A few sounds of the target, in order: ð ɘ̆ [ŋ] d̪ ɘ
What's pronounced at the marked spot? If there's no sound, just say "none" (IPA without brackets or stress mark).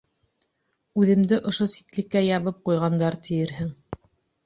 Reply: m